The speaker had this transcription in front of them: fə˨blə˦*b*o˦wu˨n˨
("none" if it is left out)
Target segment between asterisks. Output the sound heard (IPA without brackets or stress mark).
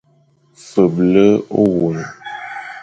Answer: none